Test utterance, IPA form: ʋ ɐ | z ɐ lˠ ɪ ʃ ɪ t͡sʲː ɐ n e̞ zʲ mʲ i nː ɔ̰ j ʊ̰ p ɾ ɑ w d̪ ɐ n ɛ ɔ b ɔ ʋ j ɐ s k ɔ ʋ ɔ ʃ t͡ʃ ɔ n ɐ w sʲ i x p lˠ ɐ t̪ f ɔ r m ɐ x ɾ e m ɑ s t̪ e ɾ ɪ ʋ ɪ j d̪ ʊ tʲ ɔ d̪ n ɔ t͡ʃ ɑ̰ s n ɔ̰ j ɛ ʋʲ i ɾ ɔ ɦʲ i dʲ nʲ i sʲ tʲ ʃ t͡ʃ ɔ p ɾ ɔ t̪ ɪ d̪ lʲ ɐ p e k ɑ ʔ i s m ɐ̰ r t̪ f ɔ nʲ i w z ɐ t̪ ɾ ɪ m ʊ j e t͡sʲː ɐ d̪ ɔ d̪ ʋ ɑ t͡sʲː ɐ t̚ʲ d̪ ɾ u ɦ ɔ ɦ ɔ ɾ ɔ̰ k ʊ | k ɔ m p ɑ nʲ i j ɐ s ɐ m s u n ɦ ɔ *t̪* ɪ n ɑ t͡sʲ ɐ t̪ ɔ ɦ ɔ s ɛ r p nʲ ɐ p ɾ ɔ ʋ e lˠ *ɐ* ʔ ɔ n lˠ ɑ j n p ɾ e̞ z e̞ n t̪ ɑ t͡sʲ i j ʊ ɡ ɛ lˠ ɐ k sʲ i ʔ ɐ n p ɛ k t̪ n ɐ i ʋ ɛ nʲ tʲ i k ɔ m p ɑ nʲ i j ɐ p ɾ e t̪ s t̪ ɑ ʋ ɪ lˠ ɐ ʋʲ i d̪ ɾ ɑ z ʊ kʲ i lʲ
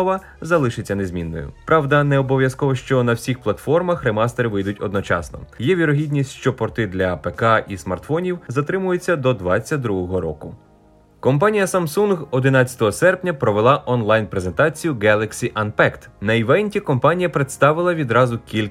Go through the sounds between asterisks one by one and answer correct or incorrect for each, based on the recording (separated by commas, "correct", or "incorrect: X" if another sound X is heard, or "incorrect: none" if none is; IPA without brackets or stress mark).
incorrect: d̪, incorrect: ɑ